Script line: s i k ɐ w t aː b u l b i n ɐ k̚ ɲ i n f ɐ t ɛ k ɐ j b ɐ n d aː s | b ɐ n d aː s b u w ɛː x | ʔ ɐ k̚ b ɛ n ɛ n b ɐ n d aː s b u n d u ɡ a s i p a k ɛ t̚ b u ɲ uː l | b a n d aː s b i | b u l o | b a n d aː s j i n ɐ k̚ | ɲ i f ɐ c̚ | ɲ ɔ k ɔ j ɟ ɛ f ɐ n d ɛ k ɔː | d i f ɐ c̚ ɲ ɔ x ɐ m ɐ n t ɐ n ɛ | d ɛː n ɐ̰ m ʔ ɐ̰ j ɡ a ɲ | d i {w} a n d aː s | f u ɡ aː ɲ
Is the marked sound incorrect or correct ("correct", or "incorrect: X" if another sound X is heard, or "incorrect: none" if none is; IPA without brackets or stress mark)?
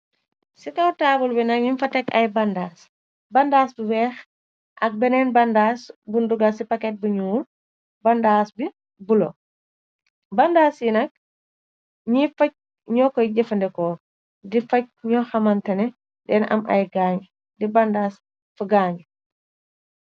incorrect: b